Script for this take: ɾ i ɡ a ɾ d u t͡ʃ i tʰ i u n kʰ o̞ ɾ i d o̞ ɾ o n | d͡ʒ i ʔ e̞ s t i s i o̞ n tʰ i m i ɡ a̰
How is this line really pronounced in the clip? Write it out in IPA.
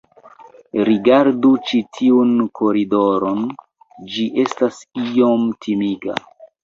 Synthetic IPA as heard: ɾ i ɡ a ɾ d u t͡ʃ i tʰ i u n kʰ o̞ ɾ i d o̞ ɾ o n | d͡ʒ i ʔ e̞ s t a s i o̞ m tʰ i m i ɡ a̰